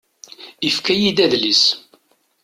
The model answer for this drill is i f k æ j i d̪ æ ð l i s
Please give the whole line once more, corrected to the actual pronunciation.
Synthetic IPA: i f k æ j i d̪ æ ð l i s